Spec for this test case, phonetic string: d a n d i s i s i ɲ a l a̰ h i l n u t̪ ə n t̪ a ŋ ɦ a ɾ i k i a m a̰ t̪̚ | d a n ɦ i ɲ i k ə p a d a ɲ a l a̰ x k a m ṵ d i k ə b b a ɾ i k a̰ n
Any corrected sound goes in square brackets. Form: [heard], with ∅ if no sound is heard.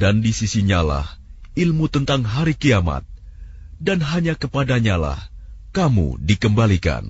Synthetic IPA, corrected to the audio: d a n d i s i s i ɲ a l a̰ h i l [m] u t̪ ə n t̪ a ŋ ɦ a ɾ i k i a m a̰ t̪̚ | d a n ɦ [a] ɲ [a] k ə p a d a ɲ a l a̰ [h] k a m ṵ d i k ə [m] b a [l] i k a̰ n